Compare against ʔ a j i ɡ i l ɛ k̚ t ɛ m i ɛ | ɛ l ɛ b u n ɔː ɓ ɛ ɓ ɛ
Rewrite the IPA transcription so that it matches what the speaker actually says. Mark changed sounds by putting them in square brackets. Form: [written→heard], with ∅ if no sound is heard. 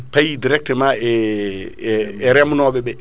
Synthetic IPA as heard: [ʔ→p] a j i [ɡ→d] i [l→ɾ] ɛ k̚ t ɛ m [i→a] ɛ | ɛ [l→ɾ] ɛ [b→m] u n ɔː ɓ ɛ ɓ ɛ